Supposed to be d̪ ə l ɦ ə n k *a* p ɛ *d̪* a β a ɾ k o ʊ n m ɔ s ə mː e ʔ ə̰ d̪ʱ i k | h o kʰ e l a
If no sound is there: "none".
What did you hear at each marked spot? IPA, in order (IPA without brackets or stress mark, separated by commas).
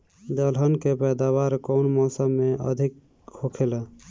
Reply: e, d̪